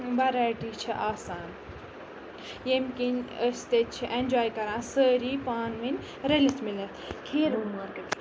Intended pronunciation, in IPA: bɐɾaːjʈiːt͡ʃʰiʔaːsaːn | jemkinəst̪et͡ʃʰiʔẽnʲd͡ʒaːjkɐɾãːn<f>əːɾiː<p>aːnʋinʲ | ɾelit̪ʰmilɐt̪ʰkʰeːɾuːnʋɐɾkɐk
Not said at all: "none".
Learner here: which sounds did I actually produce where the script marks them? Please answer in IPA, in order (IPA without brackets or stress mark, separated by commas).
s, p